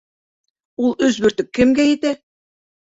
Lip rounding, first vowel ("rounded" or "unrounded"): rounded